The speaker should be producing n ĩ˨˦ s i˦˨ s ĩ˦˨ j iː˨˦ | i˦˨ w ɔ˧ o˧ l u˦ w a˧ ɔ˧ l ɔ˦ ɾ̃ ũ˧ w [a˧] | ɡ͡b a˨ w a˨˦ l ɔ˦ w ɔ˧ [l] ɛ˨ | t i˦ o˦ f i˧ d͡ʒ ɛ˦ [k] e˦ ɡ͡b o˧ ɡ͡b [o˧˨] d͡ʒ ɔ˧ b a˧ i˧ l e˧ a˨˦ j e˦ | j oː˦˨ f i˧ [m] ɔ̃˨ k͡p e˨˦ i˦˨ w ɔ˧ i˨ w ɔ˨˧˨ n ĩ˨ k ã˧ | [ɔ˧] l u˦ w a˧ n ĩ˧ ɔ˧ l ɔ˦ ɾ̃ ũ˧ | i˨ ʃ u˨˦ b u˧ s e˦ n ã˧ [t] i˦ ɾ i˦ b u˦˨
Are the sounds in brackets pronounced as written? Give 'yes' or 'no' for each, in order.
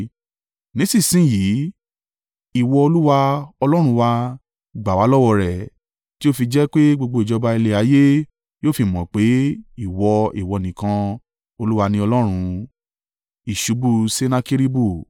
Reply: yes, no, no, yes, yes, no, no

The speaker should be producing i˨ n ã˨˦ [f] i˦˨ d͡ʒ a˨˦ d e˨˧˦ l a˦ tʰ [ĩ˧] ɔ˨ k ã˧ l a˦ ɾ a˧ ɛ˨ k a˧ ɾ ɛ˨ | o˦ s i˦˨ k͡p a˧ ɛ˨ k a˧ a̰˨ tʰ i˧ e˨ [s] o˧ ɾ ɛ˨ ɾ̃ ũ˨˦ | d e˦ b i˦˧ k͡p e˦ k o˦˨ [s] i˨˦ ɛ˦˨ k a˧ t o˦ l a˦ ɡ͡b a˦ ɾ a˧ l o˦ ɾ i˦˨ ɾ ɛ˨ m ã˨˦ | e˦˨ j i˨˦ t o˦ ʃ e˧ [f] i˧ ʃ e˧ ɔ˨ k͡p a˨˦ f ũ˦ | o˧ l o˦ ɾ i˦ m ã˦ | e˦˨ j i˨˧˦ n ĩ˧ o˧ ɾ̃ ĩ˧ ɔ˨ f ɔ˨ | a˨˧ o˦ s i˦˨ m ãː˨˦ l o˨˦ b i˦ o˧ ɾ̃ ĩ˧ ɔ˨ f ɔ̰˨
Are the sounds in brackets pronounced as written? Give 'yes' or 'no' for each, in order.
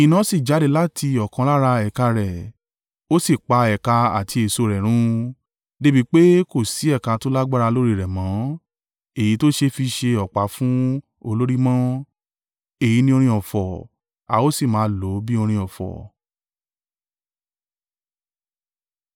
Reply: no, no, yes, yes, yes

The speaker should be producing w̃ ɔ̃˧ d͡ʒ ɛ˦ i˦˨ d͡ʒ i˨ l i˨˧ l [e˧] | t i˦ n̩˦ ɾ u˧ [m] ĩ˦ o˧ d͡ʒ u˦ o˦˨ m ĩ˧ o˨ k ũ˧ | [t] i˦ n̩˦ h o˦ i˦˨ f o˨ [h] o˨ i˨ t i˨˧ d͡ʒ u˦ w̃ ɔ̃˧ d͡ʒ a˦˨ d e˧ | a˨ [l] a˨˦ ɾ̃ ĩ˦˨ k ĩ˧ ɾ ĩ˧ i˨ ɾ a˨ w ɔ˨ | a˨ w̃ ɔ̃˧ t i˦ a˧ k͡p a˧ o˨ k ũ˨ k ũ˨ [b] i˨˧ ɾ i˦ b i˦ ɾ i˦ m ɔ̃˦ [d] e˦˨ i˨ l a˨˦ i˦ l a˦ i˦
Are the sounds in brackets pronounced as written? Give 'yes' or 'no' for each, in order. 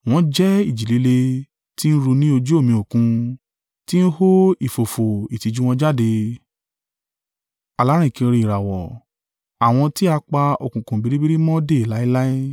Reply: yes, no, yes, no, yes, yes, yes

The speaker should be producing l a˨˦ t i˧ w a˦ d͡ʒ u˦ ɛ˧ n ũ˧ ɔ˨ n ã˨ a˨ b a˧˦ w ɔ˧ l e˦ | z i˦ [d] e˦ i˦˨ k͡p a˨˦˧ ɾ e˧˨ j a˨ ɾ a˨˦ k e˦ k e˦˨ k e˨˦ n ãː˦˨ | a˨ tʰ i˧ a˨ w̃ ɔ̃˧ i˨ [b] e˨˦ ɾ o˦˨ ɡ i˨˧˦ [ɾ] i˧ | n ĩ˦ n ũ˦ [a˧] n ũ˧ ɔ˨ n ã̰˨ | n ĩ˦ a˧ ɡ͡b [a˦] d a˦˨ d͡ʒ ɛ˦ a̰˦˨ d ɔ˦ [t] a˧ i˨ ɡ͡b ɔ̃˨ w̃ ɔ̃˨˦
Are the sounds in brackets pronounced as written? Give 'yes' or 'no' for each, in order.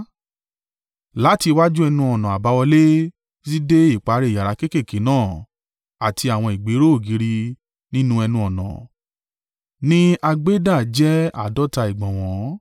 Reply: yes, no, yes, no, no, yes

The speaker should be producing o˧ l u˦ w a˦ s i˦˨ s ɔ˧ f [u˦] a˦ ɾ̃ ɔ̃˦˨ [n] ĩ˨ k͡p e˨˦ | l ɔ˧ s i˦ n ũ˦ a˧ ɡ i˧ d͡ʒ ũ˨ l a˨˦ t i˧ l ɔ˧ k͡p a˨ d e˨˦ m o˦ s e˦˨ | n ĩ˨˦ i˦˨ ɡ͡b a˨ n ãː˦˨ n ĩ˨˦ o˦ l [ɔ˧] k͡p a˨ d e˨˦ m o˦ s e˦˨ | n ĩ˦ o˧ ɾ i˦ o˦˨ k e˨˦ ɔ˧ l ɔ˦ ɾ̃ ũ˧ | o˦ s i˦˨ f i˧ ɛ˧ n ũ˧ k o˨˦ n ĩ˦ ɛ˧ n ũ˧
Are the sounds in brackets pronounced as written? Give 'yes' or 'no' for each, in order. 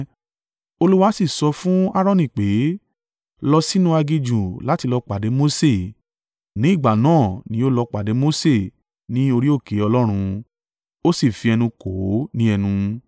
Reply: no, yes, yes

